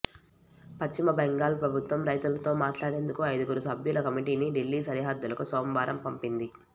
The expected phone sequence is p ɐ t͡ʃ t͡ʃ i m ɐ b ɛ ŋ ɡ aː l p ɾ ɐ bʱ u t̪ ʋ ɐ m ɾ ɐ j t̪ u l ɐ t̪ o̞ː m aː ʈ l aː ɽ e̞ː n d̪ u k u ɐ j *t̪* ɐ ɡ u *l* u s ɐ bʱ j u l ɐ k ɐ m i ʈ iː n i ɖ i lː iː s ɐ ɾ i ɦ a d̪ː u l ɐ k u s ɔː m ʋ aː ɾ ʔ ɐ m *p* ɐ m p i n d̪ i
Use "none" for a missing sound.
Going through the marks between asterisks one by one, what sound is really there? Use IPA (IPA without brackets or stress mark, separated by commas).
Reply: d̪, ɾ, p